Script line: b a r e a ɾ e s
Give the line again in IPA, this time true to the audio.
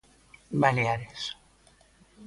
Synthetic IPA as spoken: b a l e a ɾ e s